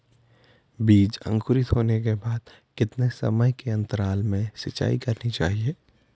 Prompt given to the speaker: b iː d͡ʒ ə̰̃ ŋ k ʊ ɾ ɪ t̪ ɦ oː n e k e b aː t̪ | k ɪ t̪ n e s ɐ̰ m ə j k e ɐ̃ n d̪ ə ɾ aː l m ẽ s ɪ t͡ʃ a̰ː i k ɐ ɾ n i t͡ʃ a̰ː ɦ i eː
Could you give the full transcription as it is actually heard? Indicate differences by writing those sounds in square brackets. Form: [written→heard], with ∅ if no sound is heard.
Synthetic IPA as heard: b iː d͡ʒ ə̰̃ ŋ k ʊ ɾ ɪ t̪ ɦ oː n e k e b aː [t̪→d̪] | k ɪ t̪ n e s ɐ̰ m ə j k e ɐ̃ n [d̪→t̪] ə ɾ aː l m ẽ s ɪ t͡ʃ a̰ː i k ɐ ɾ n i t͡ʃ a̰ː ɦ i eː